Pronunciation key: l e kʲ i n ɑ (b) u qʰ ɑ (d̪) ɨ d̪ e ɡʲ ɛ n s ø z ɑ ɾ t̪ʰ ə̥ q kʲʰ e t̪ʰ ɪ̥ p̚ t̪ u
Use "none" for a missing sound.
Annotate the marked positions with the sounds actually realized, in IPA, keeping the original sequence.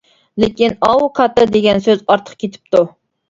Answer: w, t̪

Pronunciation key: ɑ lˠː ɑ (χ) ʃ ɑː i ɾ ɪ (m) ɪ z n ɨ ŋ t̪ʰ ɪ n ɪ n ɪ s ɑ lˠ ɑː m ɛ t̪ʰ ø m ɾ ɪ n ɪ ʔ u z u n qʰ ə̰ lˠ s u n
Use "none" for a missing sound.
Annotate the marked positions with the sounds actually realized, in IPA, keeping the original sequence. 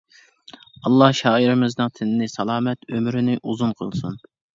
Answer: h, m

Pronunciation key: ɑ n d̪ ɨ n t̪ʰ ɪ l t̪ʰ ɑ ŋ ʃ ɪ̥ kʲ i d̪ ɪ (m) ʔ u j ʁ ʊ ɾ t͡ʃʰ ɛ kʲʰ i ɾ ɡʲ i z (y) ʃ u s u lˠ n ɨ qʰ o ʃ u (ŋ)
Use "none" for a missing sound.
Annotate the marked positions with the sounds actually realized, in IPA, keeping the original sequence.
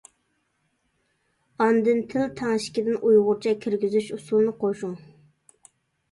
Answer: n, y, ŋ

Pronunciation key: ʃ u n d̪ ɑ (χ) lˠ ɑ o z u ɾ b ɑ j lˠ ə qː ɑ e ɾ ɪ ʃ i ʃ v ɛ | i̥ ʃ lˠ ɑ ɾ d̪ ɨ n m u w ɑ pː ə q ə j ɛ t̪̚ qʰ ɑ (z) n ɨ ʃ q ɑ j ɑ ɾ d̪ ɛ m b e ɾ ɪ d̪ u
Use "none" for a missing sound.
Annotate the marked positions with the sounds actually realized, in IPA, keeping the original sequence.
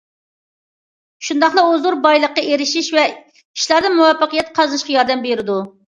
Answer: χ, z

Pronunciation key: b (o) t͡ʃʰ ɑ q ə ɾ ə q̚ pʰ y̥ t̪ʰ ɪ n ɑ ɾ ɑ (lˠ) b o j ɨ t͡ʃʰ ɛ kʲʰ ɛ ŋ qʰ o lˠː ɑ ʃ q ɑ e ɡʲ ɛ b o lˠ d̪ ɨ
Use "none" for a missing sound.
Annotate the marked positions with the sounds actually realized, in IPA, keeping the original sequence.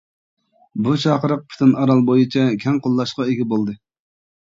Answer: u, lˠ

